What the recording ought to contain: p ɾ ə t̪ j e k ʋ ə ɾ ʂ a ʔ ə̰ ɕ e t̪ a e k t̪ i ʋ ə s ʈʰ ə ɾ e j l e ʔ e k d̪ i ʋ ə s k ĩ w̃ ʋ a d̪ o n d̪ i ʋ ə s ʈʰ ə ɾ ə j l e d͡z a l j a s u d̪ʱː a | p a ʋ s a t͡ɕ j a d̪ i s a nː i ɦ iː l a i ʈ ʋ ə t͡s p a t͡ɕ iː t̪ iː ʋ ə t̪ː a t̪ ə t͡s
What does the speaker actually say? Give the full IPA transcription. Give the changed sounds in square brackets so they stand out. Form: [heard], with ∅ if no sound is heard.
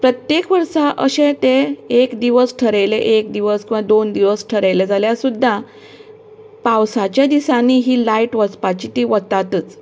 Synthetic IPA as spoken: p ɾ ə t̪ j e k ʋ ə ɾ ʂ a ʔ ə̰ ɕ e t̪ [e] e k [d̪] i ʋ ə s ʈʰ ə ɾ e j l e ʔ e k d̪ i ʋ ə s k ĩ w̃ ʋ a d̪ o n d̪ i ʋ ə s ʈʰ ə ɾ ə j l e d͡z a l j a s u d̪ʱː a | p a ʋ s a t͡ɕ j a d̪ i s a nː i ɦ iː l a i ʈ ʋ ə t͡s p a t͡ɕ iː t̪ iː ʋ ə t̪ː a t̪ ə t͡s